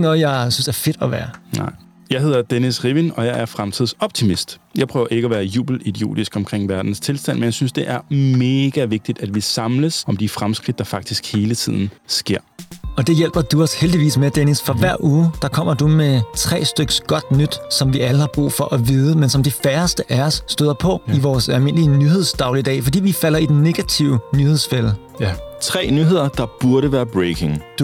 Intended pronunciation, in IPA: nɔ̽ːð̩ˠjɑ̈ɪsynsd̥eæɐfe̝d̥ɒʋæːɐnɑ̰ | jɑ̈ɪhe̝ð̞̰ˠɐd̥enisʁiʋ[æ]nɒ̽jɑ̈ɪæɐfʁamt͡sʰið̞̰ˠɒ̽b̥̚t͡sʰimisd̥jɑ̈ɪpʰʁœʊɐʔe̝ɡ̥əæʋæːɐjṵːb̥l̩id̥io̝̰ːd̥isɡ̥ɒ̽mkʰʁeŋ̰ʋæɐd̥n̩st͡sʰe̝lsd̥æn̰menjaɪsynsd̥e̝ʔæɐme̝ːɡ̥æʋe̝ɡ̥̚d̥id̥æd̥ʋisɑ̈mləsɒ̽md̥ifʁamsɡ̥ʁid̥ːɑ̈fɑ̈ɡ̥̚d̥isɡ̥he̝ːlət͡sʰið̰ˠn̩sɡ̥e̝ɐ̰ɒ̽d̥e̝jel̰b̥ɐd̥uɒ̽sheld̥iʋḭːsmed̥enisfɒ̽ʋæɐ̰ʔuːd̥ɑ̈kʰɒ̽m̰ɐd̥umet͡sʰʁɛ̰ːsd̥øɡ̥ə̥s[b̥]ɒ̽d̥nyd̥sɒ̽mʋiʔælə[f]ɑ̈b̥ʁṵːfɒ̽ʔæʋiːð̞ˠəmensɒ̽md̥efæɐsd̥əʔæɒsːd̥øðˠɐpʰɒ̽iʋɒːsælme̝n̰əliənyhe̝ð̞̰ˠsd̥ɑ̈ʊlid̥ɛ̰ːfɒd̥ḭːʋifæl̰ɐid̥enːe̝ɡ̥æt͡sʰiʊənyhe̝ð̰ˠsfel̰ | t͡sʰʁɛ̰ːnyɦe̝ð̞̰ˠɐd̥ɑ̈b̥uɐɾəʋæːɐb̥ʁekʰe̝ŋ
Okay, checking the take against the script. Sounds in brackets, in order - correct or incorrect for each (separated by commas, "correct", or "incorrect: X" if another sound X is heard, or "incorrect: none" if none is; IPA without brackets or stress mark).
incorrect: i, incorrect: ɡ̥, incorrect: h